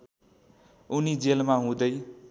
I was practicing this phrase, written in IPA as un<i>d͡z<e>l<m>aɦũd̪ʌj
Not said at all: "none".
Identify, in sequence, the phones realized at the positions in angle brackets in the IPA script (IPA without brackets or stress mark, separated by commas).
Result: i, e, m